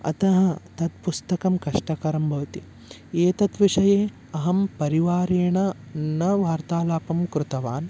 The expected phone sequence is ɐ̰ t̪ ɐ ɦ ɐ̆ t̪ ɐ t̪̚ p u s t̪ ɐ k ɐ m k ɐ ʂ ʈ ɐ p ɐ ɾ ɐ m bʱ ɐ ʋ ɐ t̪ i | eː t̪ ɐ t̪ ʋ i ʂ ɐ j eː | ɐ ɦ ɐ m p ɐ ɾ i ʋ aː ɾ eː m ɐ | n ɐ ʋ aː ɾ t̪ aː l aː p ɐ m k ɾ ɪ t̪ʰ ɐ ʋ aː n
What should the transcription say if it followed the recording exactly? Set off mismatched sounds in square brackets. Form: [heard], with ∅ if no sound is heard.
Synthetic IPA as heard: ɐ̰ t̪ ɐ ɦ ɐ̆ t̪ ɐ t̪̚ p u s t̪ ɐ k ɐ m k ɐ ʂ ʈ ɐ [k] ɐ ɾ ɐ m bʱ ɐ ʋ ɐ t̪ i | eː t̪ ɐ t̪ ʋ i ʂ ɐ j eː | ɐ ɦ ɐ m p ɐ ɾ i ʋ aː ɾ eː [ɳ] ɐ | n ɐ ʋ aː ɾ t̪ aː l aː p ɐ m k ɾ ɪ [t̪] ɐ ʋ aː n